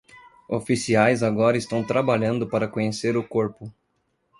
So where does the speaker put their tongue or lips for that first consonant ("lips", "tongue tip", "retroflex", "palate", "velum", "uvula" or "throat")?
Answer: lips